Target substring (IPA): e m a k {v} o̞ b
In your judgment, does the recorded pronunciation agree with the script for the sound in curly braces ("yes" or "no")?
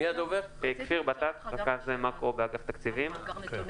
no